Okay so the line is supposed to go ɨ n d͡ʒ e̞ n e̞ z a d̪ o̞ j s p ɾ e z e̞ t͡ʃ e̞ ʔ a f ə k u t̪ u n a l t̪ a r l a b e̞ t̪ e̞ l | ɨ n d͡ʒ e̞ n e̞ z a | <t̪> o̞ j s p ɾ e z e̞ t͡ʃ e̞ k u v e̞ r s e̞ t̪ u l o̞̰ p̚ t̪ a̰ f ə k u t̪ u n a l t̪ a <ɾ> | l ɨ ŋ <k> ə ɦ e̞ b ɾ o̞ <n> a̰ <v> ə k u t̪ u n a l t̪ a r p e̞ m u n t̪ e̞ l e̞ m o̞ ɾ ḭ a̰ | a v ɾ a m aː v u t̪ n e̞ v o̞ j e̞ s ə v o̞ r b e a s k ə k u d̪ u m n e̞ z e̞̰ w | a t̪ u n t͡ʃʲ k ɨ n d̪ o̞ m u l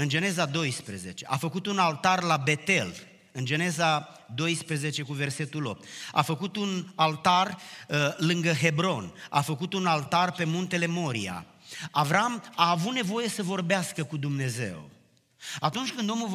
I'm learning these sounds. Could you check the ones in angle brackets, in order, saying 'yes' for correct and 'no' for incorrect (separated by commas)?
no, no, no, yes, no